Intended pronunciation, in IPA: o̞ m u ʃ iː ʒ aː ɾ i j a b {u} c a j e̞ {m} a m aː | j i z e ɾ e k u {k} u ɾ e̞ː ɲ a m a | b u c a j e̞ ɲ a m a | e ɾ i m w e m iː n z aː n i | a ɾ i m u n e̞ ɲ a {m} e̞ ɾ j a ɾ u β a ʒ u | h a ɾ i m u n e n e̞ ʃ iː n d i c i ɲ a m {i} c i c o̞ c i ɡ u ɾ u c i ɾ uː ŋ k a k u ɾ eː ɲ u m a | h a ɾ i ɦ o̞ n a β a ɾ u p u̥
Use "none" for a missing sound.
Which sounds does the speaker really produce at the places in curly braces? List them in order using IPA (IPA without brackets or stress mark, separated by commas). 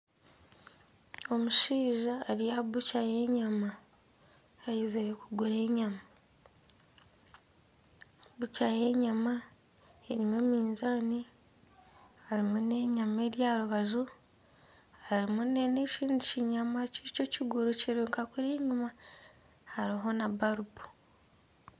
u, ɲ, ɡ, m, a